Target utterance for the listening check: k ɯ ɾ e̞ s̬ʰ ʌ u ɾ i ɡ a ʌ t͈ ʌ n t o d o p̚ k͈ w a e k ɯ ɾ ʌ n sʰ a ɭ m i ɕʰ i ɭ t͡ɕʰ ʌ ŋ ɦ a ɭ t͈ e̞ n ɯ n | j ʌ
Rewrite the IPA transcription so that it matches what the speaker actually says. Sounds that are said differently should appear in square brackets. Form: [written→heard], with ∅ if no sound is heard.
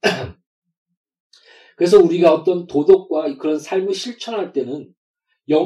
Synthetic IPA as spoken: k ɯ ɾ e̞ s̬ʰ ʌ u ɾ i ɡ a ʌ t͈ ʌ n t o d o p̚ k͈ w a [e→i] k ɯ ɾ ʌ n sʰ a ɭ m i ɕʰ i ɭ t͡ɕʰ ʌ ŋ ɦ a ɭ t͈ e̞ n ɯ n | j ʌ